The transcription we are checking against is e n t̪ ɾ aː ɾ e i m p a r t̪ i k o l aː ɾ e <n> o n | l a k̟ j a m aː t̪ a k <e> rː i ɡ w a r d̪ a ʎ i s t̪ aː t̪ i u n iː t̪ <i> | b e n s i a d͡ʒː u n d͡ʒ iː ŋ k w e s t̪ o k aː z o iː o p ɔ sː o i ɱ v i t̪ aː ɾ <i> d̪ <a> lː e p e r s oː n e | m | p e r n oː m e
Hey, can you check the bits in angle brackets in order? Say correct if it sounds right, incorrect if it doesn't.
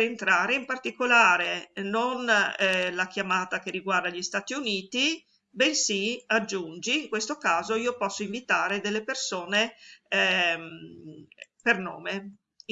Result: correct, correct, correct, incorrect: e, incorrect: e

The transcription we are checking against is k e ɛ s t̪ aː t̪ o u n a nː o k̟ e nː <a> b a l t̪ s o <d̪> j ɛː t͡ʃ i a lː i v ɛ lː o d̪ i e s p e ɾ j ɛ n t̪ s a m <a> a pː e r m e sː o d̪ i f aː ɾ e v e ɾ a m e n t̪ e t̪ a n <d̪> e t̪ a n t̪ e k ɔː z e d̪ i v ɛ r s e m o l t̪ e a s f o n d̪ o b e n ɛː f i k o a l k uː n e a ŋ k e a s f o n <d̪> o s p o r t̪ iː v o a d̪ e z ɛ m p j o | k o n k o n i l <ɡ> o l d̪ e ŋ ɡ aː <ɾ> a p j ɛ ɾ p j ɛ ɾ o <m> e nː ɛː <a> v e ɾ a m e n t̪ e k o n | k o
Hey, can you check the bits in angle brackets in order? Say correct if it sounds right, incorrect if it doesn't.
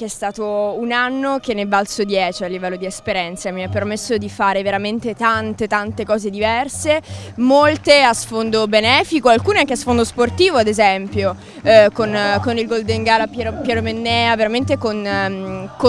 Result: incorrect: e, correct, incorrect: i, incorrect: t̪, correct, correct, incorrect: l, correct, correct

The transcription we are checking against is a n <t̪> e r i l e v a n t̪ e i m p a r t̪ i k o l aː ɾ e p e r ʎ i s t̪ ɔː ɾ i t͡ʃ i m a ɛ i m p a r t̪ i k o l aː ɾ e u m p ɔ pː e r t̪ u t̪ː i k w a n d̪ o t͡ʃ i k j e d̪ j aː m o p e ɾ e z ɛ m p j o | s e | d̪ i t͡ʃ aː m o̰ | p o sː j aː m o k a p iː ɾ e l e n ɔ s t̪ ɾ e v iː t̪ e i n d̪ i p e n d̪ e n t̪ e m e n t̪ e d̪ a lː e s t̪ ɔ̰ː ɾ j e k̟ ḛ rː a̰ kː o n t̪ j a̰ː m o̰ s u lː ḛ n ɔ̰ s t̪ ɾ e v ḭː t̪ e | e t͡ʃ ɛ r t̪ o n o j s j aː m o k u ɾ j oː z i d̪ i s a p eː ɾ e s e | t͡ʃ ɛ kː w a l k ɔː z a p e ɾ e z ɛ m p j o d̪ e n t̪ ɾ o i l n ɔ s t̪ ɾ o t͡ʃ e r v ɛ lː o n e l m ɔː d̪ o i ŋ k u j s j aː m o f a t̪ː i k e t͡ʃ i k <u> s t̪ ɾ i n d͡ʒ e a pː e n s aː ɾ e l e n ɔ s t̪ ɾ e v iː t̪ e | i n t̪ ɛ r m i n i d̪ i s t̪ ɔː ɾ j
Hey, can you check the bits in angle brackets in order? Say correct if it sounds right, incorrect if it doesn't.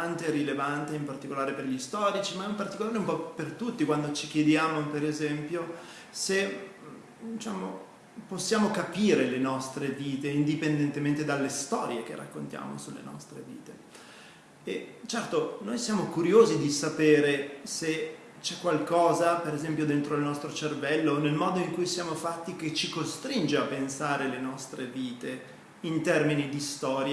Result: correct, incorrect: o

